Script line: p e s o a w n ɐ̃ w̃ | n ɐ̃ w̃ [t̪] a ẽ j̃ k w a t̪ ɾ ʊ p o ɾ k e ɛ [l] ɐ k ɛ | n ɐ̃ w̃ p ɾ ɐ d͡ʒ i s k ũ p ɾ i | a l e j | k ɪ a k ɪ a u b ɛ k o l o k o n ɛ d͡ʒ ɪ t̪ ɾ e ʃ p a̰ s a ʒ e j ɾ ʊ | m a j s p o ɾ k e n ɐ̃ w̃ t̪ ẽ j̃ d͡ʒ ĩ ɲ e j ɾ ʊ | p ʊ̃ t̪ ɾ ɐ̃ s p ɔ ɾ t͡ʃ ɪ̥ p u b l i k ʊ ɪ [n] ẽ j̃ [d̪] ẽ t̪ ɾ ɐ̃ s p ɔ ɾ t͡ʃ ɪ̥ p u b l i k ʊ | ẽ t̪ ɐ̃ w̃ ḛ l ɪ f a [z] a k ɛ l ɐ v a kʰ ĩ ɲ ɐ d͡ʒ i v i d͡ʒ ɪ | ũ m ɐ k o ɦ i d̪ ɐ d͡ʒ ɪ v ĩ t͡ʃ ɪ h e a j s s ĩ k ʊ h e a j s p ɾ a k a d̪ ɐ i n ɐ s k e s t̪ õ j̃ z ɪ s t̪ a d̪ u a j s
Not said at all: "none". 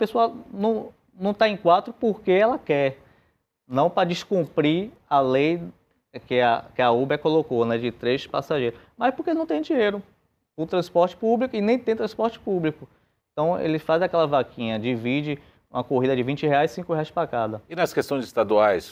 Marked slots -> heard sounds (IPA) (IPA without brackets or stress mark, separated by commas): t̪, l, n, t̪, z